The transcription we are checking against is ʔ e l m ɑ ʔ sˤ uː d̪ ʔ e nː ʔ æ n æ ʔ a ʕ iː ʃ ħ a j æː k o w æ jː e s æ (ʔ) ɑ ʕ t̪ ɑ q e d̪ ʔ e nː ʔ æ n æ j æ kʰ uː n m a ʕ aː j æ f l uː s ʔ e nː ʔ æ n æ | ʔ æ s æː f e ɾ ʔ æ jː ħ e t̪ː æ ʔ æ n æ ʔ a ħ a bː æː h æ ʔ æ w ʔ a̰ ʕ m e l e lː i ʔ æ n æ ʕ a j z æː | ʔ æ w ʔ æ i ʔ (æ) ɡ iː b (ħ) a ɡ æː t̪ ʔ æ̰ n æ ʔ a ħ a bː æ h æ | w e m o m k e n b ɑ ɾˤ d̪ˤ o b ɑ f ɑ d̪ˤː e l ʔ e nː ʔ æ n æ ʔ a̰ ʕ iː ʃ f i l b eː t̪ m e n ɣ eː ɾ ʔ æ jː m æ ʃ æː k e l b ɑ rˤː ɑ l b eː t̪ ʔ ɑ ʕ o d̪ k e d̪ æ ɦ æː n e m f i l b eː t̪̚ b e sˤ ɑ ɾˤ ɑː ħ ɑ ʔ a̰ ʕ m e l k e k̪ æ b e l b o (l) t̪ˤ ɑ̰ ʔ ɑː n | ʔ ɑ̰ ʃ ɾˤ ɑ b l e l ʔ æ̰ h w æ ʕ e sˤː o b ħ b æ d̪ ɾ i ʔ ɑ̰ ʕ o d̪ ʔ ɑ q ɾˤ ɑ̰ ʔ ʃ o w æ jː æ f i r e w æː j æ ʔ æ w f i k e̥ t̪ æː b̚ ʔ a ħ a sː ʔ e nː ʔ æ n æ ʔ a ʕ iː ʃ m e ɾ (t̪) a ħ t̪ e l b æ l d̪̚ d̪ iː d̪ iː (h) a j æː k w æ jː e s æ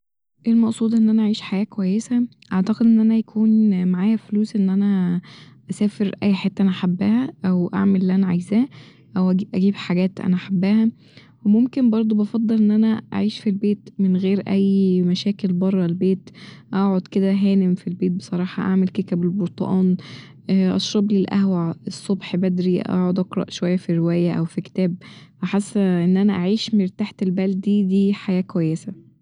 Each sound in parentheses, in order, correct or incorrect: correct, correct, correct, incorrect, correct, incorrect

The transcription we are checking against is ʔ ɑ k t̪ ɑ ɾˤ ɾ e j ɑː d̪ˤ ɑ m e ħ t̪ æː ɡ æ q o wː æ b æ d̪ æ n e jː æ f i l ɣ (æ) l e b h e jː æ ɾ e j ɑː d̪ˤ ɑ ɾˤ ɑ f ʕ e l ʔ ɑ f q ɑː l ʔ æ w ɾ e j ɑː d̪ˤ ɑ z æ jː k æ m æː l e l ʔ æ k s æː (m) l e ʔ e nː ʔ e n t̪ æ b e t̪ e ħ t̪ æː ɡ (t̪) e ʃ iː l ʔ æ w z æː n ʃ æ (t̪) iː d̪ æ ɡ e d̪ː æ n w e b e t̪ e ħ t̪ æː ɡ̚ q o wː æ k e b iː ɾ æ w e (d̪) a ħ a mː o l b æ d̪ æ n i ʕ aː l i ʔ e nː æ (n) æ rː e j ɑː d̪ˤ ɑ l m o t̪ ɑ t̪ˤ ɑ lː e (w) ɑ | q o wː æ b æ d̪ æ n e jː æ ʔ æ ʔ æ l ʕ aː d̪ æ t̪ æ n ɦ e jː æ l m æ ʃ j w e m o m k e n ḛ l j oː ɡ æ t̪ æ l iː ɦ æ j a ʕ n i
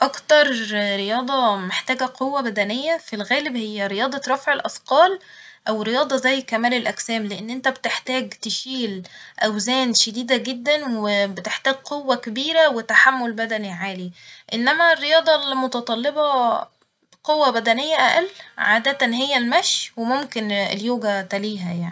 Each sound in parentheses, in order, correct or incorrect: incorrect, correct, correct, incorrect, incorrect, incorrect, incorrect

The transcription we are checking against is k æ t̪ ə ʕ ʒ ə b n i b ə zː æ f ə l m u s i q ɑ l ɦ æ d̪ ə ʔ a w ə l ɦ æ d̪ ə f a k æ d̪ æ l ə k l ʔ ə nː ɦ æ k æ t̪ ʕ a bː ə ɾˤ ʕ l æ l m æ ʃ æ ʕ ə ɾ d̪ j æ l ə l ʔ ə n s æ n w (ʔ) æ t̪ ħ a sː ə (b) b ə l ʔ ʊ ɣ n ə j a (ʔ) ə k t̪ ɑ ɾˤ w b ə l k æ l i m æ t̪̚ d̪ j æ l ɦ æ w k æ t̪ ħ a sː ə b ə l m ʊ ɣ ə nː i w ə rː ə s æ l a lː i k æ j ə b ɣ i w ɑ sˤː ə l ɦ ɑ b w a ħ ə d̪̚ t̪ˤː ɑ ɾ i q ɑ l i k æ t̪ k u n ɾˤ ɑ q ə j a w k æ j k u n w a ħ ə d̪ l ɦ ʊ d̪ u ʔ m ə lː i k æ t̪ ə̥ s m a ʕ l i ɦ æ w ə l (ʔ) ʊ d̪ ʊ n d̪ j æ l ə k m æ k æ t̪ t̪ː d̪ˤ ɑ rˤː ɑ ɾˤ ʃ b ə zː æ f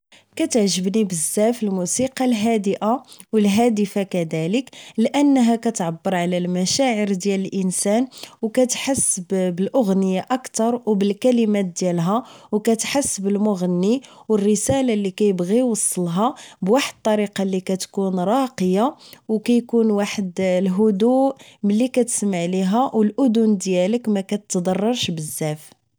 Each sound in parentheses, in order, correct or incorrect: incorrect, correct, correct, correct

